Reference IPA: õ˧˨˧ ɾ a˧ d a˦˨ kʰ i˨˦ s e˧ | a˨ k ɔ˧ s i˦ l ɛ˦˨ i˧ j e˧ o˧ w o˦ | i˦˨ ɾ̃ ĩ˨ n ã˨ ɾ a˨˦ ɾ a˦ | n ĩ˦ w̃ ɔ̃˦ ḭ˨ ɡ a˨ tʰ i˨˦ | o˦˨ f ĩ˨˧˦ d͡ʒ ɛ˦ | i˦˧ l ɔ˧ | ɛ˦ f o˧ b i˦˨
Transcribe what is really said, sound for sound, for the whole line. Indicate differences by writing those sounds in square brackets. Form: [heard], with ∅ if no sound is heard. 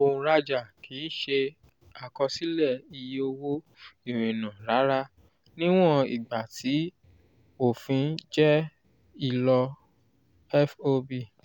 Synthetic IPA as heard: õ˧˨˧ ɾ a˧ [d͡ʒ] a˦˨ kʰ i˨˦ [ʃ] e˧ | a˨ k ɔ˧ s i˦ l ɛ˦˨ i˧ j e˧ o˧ w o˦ | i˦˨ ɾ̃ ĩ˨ n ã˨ ɾ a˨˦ ɾ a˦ | n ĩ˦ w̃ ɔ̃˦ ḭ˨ [ɡ͡b] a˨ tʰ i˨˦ | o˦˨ f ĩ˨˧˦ d͡ʒ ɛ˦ | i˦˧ l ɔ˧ | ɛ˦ f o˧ b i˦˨